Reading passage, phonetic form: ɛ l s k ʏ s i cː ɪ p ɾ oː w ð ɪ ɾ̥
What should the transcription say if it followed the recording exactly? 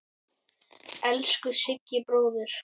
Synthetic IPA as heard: ɛ l s k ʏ s ɪ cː ɪ p ɾ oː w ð ɪ ɾ̥